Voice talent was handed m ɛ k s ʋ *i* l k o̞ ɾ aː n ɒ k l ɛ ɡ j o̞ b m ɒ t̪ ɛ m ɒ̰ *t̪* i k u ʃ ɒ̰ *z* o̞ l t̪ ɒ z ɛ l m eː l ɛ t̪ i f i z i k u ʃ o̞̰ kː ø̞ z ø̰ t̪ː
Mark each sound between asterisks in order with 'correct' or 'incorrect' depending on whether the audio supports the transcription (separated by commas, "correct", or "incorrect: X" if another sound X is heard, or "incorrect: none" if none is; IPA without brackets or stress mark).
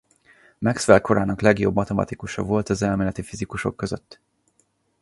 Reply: incorrect: ɛ, correct, incorrect: v